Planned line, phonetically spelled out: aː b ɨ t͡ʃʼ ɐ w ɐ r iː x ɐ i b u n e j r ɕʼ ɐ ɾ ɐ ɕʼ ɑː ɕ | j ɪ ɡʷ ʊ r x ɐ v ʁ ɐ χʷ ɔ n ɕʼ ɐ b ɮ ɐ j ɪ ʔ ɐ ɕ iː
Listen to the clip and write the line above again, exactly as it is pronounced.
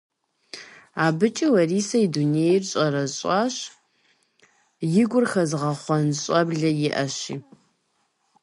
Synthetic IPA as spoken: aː b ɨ t͡ʃʼ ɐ w ɐ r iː s ɐ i d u n e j r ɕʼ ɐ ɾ ɐ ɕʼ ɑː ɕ | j ɪ ɡʷ ʊ r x ɐ z ʁ ɐ χʷ ɔ n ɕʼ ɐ b ɮ ɐ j ɪ ʔ ɐ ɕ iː